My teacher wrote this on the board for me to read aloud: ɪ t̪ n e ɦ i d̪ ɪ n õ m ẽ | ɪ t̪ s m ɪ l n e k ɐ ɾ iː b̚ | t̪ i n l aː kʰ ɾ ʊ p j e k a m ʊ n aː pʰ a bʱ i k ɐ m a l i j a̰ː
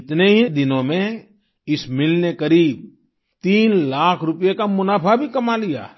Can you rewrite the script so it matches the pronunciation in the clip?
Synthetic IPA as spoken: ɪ t̪ n e ɦ i d̪ ɪ n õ m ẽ | ɪ s m ɪ l n e k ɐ ɾ iː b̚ | t̪ iː n l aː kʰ ɾ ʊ p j e k a m ʊ n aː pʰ a bʱ i k ɐ m a l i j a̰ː